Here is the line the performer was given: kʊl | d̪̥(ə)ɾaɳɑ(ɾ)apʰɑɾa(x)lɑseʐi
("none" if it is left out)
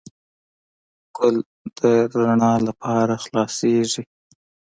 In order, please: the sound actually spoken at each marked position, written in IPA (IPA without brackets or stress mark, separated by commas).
ə, l, x